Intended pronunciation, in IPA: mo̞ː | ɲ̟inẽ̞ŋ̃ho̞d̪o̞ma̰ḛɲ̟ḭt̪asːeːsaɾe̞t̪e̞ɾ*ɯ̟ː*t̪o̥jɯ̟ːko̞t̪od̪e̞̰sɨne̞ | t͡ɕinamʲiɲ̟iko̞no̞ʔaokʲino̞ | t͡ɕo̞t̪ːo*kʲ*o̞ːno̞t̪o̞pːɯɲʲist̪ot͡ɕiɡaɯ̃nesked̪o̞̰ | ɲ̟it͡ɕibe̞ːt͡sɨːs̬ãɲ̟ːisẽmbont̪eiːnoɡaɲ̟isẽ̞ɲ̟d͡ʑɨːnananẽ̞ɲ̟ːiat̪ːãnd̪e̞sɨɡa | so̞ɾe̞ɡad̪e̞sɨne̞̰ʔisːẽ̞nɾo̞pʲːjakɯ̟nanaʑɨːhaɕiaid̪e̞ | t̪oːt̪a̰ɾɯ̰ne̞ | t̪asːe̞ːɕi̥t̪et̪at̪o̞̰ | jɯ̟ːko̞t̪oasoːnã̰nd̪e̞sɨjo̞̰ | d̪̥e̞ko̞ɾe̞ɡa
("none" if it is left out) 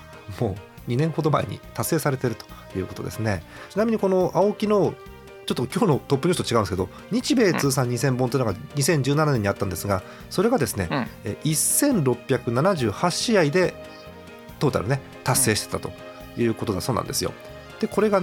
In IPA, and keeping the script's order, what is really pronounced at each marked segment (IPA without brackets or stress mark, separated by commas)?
ɯ̟, kʲ